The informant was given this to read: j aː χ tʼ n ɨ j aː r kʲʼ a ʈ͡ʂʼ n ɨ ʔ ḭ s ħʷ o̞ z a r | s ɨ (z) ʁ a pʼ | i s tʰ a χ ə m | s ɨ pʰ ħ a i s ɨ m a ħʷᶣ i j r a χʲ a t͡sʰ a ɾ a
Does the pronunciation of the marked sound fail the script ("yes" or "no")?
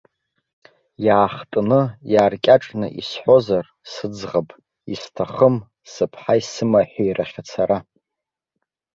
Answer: yes